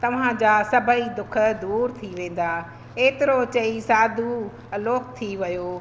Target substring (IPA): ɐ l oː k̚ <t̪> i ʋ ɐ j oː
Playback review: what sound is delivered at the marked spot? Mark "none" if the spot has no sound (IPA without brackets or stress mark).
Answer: t̪ʰ